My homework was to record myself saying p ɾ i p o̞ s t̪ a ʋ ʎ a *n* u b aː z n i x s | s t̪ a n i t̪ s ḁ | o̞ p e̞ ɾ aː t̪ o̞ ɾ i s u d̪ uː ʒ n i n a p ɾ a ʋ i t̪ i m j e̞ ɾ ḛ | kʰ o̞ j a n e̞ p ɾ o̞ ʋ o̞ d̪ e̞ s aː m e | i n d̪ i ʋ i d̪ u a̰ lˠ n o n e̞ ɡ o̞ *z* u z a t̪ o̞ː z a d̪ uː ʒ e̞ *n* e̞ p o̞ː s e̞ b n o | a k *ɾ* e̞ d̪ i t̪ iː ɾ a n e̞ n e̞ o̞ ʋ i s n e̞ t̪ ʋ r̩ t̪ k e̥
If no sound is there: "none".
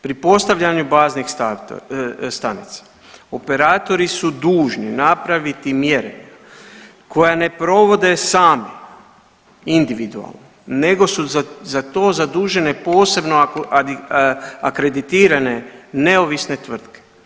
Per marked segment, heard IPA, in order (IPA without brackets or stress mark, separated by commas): ɲ, s, n, ɾ